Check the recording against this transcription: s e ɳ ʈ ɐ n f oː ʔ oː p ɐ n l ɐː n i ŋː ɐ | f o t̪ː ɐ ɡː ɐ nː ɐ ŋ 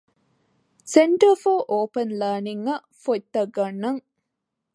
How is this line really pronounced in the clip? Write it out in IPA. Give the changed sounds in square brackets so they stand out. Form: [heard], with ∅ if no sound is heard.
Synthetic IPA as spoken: s e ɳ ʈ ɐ [∅] f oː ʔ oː p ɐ n l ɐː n i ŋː ɐ | f o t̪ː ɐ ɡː ɐ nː ɐ ŋ